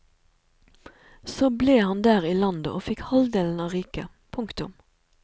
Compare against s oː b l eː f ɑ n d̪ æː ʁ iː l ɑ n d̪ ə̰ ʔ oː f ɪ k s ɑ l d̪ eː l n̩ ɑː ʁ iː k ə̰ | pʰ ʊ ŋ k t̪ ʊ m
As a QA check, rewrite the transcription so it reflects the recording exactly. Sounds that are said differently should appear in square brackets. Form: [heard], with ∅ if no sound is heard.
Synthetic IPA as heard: s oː b l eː [h] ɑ n d̪ æː ʁ iː l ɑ n d̪ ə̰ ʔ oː f ɪ k [h] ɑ l d̪ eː l n̩ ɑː ʁ iː k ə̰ | pʰ ʊ ŋ k t̪ ʊ m